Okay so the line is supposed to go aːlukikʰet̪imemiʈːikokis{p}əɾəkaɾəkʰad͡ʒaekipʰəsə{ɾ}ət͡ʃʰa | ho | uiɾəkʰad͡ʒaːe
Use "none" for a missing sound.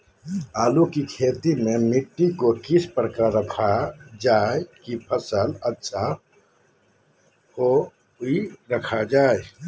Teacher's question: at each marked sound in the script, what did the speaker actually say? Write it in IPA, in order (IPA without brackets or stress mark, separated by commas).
p, l